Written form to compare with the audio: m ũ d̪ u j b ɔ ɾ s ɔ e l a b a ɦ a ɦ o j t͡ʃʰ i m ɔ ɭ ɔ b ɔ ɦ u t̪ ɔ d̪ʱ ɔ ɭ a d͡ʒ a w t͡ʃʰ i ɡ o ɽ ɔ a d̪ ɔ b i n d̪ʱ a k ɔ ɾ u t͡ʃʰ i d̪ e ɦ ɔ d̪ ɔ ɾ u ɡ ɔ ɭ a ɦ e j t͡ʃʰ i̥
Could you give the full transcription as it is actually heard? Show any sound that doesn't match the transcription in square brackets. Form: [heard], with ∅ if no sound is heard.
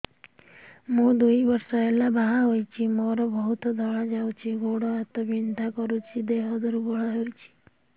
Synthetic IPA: m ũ d̪ u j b ɔ ɾ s ɔ e l a b a ɦ a ɦ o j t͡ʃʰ i m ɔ [ɾ] ɔ b ɔ ɦ u t̪ ɔ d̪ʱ ɔ ɭ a d͡ʒ a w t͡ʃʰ i ɡ o ɽ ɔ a [t̪] ɔ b i n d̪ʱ a k ɔ ɾ u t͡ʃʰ i d̪ e ɦ ɔ d̪ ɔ ɾ u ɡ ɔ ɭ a ɦ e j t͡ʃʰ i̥